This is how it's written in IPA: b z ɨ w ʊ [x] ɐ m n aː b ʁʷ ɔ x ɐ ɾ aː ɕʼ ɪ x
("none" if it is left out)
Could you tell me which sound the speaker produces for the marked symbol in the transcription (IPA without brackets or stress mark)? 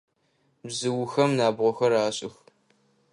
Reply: x